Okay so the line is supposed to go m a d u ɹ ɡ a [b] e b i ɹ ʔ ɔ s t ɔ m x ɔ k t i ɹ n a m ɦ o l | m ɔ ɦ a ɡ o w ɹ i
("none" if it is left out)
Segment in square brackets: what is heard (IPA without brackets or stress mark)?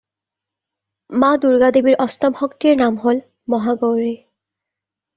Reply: d